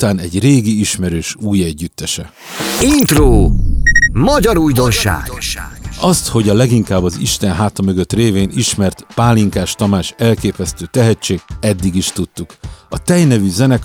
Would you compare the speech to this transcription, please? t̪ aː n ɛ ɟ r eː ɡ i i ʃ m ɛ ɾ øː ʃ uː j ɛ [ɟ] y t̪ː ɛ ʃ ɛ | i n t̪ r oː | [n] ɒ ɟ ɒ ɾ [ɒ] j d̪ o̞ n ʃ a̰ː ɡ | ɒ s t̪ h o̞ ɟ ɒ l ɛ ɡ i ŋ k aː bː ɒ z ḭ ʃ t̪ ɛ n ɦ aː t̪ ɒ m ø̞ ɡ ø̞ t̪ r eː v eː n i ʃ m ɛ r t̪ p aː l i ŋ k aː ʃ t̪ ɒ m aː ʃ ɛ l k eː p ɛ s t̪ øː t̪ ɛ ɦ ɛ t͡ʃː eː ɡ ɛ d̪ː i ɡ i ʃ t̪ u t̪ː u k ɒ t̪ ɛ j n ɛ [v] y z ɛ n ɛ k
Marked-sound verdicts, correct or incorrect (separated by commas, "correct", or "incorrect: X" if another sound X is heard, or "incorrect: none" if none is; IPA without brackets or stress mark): incorrect: ɟː, incorrect: m, incorrect: u, correct